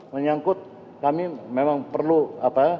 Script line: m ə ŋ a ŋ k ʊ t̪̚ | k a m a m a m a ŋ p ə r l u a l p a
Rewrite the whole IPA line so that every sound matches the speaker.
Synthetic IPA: m ə ɲ a ŋ k ʊ t̪̚ | k a m i m e m a ŋ p ə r l u a p a